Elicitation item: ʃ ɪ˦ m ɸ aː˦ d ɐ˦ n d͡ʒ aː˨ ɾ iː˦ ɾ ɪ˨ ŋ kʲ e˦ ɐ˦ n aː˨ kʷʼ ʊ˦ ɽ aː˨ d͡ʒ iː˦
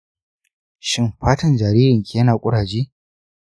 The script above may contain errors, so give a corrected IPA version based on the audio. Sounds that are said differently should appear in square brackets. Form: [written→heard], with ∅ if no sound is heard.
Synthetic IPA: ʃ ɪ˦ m ɸ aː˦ [d→t] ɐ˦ n d͡ʒ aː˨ ɾ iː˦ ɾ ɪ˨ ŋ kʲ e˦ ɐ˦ n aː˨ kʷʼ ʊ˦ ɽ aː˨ d͡ʒ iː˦